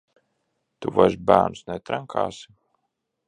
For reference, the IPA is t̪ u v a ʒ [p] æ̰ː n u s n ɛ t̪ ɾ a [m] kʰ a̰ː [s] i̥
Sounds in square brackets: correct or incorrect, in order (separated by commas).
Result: incorrect, incorrect, correct